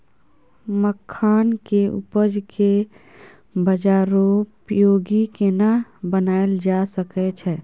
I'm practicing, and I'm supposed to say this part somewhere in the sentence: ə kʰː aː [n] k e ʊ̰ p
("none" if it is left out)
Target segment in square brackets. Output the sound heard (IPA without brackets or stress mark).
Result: n